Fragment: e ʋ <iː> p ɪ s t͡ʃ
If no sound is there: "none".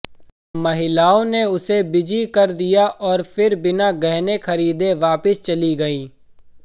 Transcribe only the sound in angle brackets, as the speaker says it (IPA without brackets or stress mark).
aː